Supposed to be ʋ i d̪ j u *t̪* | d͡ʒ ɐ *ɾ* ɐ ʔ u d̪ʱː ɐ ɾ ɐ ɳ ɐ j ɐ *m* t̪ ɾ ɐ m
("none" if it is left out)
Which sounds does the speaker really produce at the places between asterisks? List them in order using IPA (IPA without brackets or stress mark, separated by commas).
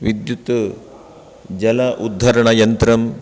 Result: t̪, l, n